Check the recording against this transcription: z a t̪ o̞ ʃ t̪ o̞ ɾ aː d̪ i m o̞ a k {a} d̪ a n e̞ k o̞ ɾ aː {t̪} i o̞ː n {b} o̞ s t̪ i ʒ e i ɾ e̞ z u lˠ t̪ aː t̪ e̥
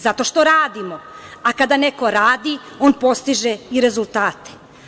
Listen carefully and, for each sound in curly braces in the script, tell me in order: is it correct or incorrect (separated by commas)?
correct, incorrect, incorrect